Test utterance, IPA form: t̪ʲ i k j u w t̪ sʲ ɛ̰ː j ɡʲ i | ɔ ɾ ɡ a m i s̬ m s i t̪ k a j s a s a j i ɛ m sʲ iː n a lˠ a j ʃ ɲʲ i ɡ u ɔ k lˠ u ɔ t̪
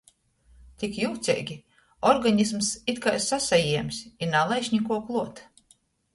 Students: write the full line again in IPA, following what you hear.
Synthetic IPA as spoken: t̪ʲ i k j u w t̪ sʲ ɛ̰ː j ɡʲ i | ɔ ɾ ɡ a ɲ i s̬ m s i t̪ k a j s a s a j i ɛ m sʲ i n a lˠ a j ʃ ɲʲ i k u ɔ k lˠ u ɔ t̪